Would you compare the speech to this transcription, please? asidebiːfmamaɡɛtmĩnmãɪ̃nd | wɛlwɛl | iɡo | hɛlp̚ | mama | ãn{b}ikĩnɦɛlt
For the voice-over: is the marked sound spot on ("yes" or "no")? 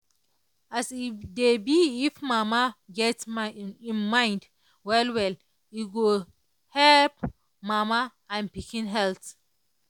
no